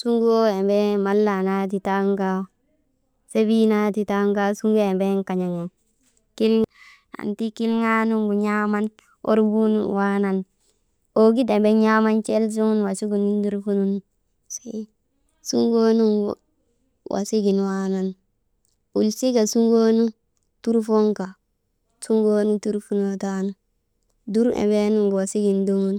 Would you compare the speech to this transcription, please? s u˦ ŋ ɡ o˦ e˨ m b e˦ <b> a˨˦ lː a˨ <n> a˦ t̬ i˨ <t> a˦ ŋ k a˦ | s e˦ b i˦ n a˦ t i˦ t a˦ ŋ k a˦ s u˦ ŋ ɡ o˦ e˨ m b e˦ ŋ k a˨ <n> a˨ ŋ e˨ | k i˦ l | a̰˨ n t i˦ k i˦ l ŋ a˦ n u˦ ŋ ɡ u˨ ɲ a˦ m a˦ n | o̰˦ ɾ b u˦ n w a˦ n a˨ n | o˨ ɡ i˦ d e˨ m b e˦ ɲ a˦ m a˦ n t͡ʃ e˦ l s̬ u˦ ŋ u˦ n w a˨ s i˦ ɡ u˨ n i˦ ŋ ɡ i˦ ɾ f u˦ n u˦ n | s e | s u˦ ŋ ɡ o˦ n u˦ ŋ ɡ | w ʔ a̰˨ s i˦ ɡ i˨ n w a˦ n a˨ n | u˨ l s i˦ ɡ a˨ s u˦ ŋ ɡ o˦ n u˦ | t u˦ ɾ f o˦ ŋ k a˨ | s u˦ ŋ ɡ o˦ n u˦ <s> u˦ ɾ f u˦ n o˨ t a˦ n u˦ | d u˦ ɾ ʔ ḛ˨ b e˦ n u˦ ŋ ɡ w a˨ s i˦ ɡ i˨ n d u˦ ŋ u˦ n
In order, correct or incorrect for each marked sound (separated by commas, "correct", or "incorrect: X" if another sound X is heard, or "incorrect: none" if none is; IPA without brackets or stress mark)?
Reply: incorrect: m, correct, correct, incorrect: ɲ, incorrect: t